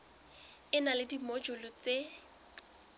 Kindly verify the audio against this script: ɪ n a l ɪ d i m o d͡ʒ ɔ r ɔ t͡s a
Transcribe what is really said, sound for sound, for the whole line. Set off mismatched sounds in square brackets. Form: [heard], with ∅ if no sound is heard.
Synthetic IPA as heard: ɪ n a l ɪ d i m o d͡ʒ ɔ [l] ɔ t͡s [e]